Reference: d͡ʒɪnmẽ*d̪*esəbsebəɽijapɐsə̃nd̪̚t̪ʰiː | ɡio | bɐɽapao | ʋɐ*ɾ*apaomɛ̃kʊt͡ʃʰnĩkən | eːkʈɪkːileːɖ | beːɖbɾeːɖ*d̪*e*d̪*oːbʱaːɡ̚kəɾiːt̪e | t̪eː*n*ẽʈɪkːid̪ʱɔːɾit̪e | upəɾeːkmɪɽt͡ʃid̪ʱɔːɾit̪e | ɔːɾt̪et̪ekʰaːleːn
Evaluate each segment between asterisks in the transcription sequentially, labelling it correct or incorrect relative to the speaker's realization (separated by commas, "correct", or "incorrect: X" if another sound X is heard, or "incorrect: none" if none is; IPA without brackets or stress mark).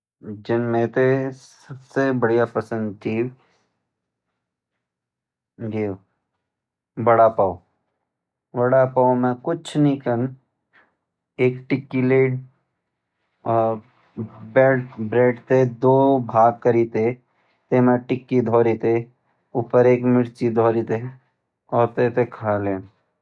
incorrect: t̪, incorrect: ɽ, incorrect: t̪, correct, incorrect: m